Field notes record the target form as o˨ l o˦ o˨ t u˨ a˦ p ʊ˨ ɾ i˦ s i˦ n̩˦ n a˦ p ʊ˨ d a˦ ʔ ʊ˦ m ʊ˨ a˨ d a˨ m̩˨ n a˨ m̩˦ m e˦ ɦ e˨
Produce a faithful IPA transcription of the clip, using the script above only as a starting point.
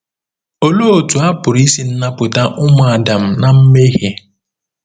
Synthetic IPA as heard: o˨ l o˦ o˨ t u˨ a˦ p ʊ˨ ɾ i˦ s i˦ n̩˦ n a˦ p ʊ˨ t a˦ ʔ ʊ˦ m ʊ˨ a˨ d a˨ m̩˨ n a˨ m̩˦ m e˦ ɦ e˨